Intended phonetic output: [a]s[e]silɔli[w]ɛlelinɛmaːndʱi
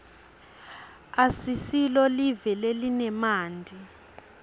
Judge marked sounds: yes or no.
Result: yes, no, no

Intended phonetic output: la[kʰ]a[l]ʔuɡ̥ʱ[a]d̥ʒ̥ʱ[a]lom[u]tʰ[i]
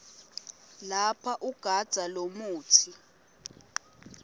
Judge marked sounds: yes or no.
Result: no, no, yes, yes, no, yes

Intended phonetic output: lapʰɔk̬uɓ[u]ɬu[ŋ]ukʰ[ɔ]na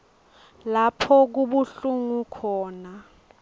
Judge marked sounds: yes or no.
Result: yes, yes, no

